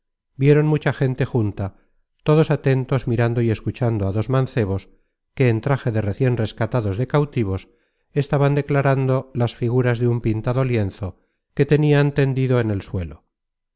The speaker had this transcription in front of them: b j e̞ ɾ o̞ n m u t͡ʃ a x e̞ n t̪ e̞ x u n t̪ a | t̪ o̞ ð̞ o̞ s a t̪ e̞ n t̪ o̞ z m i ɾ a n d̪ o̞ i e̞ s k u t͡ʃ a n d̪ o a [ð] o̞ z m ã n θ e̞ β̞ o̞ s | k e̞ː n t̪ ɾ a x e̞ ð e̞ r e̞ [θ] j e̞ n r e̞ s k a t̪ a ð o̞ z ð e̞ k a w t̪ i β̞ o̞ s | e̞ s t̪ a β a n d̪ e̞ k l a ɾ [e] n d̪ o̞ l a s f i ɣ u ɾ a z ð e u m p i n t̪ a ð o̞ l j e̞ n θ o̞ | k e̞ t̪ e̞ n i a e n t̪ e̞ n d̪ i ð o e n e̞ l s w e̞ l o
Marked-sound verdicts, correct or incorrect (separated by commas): correct, correct, incorrect